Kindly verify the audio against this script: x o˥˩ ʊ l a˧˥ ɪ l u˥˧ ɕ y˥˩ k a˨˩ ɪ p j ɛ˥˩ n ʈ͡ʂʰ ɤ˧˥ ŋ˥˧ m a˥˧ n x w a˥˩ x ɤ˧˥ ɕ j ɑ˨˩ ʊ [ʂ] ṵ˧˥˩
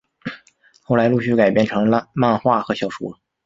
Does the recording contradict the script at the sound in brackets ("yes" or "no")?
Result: no